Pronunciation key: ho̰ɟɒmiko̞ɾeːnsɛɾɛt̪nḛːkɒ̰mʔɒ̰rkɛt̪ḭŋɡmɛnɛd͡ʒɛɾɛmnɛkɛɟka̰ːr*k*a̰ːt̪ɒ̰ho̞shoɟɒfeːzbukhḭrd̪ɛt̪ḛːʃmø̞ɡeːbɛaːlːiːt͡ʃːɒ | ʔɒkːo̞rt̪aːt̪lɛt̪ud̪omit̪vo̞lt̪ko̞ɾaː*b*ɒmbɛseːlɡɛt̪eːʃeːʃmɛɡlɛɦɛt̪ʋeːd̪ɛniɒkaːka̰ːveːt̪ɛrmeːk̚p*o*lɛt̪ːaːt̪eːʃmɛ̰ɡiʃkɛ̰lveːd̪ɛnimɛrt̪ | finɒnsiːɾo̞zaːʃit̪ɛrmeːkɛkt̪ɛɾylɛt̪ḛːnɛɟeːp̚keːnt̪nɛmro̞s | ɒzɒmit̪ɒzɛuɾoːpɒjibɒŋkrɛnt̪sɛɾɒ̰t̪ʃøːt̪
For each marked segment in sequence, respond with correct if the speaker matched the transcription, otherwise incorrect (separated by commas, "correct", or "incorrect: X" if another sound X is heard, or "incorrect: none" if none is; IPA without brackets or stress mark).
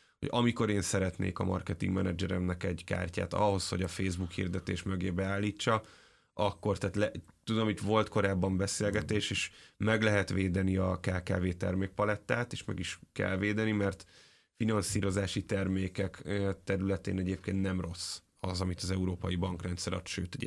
incorrect: c, incorrect: bː, incorrect: ɒ